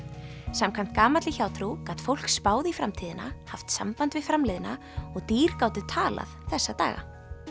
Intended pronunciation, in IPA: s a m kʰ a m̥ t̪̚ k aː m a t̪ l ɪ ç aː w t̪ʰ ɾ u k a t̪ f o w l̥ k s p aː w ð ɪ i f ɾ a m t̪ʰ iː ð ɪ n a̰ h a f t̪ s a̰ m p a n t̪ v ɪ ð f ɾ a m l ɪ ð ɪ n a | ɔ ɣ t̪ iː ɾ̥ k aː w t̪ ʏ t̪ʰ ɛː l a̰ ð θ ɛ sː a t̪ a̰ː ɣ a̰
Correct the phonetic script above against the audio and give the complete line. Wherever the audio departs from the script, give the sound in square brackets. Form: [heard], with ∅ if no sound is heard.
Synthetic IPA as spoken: s a m kʰ a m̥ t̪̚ k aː m a t̪ l ɪ ç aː w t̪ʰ ɾ u k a t̪ f o w l̥ k s p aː w ð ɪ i f ɾ a m t̪ʰ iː ð ɪ n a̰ h a f t̪ s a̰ m p a n t̪ v ɪ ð f ɾ a m l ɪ ð ɪ n a | ɔ ɣ t̪ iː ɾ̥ k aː w t̪ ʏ t̪ʰ [aː] l a̰ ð θ ɛ sː a t̪ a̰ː ɣ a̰